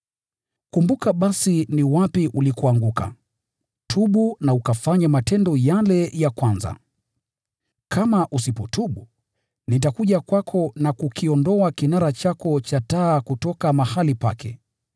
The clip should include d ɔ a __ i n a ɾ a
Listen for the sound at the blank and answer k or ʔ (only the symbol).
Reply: k